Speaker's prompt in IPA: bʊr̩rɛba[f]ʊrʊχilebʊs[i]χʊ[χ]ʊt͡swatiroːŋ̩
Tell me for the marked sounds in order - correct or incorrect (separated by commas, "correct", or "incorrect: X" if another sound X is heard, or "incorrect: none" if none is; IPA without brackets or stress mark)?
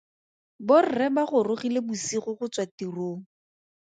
incorrect: χ, correct, correct